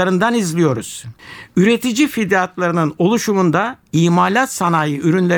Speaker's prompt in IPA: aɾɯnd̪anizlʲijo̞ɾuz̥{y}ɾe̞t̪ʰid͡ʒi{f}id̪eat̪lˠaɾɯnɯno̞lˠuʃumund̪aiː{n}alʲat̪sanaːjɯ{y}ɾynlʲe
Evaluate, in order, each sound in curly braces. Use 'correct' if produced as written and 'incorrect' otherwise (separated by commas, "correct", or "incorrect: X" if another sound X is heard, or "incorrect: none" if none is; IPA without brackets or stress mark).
correct, correct, incorrect: m, correct